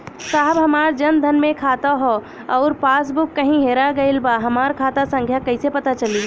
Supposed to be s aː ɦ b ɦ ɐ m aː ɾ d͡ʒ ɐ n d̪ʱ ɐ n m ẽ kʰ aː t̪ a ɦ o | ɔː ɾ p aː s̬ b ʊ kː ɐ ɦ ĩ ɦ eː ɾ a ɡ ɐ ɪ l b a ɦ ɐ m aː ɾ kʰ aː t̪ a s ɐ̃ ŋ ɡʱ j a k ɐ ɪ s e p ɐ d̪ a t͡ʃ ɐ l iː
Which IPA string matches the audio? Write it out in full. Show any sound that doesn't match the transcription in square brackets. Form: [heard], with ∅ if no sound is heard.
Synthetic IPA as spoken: s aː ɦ b ɦ ɐ m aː ɾ d͡ʒ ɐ n d̪ʱ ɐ n m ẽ kʰ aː t̪ a ɦ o | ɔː ɾ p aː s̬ b ʊ kː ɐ ɦ ĩ ɦ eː ɾ a ɡ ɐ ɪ l b a ɦ ɐ m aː ɾ kʰ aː t̪ a s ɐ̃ ŋ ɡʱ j a k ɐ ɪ s e p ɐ [t̪] a t͡ʃ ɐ l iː